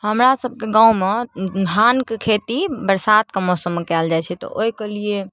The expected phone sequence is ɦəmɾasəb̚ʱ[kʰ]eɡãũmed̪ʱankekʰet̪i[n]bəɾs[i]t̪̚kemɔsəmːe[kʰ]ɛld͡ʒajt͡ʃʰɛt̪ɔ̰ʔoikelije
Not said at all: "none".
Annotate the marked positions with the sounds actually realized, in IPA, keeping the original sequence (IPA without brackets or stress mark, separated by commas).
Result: k, none, a, k